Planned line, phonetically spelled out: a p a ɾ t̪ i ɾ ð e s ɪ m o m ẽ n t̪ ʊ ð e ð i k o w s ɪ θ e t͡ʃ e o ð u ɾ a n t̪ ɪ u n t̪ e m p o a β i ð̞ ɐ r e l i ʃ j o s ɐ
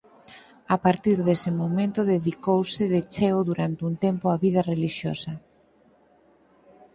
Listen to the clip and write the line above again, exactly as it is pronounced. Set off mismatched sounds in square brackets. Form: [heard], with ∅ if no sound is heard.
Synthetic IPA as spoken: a p a ɾ t̪ i ɾ ð e s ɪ m o m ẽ n t̪ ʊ ð e ð i k o w s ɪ [ð] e t͡ʃ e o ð u ɾ a n t̪ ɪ u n t̪ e m p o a β i ð̞ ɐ r e l i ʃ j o s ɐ